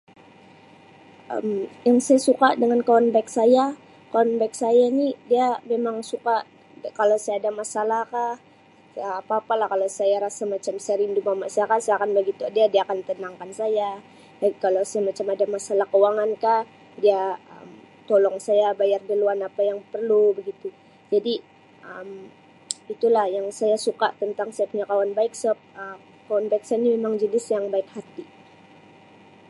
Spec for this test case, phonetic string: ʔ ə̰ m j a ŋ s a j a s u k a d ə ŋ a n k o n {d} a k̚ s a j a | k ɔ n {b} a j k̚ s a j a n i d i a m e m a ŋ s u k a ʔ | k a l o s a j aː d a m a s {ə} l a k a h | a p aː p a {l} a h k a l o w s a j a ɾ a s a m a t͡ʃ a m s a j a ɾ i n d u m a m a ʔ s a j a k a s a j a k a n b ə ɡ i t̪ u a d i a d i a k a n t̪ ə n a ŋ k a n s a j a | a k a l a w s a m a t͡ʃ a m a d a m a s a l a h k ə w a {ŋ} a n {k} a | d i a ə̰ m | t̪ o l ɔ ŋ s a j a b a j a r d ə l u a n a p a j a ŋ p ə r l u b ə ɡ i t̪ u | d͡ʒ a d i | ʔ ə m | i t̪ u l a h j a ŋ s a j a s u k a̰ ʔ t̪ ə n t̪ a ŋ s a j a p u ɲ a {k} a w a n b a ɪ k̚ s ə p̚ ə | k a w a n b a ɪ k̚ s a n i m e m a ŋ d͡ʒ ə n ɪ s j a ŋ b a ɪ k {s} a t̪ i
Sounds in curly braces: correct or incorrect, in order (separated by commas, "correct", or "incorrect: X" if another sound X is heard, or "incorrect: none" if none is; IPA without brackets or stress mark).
incorrect: b, correct, incorrect: a, correct, correct, correct, correct, incorrect: h